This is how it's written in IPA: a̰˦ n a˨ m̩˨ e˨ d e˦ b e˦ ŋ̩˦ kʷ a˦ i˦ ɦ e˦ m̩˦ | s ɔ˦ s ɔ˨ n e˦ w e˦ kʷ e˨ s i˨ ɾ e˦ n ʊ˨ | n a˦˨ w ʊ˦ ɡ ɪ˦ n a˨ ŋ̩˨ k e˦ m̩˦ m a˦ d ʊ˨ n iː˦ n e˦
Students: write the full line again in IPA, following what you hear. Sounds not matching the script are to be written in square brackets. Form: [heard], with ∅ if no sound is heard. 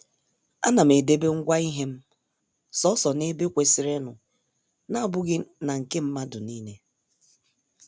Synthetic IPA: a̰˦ n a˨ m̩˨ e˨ d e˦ b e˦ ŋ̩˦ [ɡʷ] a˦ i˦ ɦ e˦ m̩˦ | s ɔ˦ s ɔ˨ n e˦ [b] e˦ kʷ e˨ s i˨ ɾ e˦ n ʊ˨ | n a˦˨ [b] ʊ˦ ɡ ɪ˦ n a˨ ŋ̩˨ k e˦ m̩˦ m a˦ d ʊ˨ n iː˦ n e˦